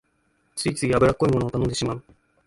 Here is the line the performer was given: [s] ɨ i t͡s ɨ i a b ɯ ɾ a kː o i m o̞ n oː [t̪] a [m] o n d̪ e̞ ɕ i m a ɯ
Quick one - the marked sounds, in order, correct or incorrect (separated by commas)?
incorrect, correct, incorrect